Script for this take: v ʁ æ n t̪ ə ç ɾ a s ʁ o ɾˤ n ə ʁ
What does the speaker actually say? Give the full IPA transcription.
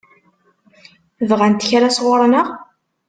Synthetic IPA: v ʁ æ n t̪ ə ç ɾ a s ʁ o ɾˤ n ə ʁ